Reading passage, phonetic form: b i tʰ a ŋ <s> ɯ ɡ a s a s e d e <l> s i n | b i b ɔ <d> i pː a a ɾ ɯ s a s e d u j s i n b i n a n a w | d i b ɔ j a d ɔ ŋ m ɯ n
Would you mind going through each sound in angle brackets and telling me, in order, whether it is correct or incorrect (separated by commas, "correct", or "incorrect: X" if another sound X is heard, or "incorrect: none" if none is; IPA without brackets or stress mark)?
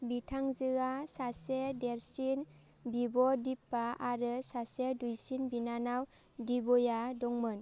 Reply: incorrect: z, incorrect: ɾ, correct